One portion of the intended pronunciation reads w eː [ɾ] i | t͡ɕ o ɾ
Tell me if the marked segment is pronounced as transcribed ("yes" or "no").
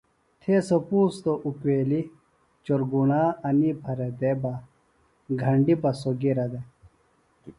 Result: no